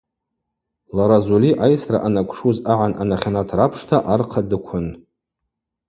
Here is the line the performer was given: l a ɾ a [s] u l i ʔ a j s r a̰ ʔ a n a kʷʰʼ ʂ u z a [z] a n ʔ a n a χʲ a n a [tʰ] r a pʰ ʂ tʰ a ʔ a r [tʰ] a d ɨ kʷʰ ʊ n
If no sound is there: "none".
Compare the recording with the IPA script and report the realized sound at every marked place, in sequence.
z, ʕ, tʰ, qʰ

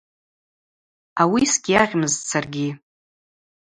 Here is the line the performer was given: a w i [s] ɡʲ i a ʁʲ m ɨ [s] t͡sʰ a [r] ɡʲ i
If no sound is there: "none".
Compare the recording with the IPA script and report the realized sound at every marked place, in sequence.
s, z, r

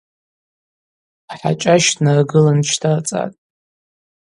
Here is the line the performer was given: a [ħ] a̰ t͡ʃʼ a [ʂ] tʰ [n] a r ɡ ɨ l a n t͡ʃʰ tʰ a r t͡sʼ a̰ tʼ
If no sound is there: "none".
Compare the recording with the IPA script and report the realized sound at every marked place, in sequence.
ħ, ʃ, n

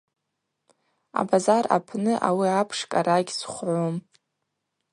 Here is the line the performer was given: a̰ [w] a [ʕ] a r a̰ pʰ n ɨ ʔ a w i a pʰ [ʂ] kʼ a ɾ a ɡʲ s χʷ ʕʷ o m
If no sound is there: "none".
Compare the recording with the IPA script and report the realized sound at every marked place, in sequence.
b, z, ʂ

